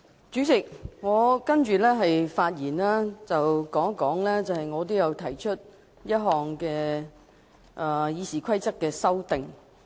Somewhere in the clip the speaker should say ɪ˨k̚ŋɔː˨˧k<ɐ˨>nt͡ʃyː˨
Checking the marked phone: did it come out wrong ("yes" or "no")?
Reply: yes